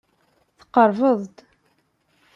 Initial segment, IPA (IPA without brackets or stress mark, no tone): θ